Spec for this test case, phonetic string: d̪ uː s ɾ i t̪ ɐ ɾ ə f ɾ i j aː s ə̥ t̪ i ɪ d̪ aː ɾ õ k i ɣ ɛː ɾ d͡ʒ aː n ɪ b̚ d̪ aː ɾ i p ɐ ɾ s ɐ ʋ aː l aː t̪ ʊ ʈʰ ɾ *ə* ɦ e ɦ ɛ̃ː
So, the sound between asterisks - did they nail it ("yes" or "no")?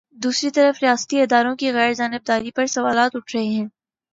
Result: no